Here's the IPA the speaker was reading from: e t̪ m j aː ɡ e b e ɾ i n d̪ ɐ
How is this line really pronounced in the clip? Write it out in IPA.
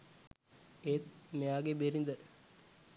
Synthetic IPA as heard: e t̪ m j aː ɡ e b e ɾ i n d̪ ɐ